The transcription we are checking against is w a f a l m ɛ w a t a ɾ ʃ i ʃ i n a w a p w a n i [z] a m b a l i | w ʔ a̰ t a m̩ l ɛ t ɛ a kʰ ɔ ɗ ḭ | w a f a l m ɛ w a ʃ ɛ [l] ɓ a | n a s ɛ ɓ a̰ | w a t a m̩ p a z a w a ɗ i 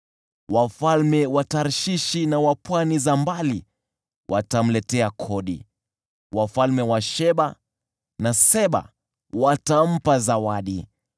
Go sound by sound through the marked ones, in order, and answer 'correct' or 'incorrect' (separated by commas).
correct, incorrect